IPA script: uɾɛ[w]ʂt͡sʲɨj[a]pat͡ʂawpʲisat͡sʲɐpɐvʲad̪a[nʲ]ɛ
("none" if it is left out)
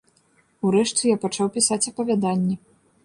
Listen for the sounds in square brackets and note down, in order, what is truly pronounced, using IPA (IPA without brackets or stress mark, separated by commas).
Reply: none, a, nʲː